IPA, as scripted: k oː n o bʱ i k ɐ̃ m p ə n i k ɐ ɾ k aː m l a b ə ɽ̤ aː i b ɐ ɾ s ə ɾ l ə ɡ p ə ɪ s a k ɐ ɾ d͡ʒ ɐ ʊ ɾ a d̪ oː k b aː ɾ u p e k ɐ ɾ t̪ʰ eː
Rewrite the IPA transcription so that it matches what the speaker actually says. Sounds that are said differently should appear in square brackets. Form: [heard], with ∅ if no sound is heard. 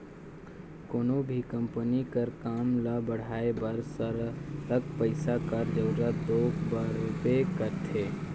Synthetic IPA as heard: k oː n o bʱ i k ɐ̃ m p ə n i k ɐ ɾ k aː m l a b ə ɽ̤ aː [e] b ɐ ɾ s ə ɾ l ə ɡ p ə ɪ s a k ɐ ɾ d͡ʒ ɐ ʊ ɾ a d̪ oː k b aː ɾ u p e k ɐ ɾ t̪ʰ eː